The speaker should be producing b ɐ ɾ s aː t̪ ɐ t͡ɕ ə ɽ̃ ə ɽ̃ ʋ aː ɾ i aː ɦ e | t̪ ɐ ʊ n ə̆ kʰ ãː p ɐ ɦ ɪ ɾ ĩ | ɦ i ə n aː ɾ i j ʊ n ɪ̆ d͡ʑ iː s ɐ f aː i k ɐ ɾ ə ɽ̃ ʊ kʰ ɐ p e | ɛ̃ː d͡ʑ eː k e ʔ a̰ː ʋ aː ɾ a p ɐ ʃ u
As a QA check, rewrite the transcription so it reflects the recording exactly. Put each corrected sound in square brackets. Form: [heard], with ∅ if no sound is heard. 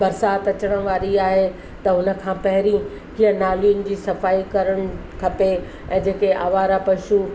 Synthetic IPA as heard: b ɐ ɾ s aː t̪ ɐ t͡ɕ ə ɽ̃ ə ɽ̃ ʋ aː ɾ i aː ɦ e | t̪ ɐ ʊ n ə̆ kʰ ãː p ɐ ɦ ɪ ɾ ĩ | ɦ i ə n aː [l] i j ʊ n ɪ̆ d͡ʑ iː s ɐ f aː i k ɐ ɾ ə ɽ̃ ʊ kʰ ɐ p e | ɛ̃ː d͡ʑ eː k e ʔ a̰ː ʋ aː ɾ a p ɐ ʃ u